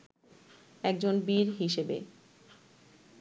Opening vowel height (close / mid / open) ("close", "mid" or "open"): mid